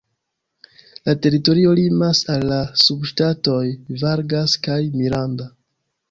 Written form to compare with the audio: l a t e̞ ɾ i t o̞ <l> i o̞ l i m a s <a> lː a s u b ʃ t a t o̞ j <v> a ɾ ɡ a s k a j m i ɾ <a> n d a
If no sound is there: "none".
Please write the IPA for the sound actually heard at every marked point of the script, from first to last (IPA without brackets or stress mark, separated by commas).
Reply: ɾ, a, v, a